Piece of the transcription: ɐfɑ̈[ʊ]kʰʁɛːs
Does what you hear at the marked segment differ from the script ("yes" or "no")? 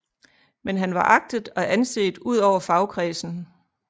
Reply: no